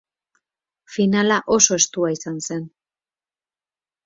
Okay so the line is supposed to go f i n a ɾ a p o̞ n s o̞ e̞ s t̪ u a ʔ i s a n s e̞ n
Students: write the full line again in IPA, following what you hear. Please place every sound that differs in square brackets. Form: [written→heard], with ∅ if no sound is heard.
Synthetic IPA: f i n a [ɾ→l] a [p→ʔ] o̞ [n→∅] s o̞ e̞ s t̪ u a [ʔ→∅] i s a n s e̞ n